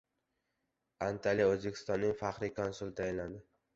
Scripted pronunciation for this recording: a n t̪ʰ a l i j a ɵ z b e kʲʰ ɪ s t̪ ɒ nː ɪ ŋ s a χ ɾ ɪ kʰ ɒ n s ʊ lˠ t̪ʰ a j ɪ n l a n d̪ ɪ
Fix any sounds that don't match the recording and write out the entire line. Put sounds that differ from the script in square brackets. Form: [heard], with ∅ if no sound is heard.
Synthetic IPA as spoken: a n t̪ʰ a l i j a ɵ z b e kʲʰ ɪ s t̪ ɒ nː ɪ ŋ [f] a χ ɾ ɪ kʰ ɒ n s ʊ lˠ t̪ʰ a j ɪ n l a n d̪ ɪ